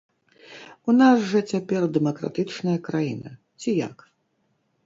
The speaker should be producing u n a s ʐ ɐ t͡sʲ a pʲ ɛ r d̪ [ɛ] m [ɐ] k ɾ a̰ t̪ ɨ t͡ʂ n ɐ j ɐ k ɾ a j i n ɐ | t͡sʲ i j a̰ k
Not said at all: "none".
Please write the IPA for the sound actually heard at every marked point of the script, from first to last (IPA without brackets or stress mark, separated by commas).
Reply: ɛ, ɐ